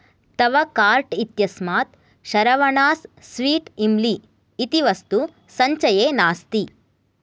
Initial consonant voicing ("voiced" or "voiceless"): voiceless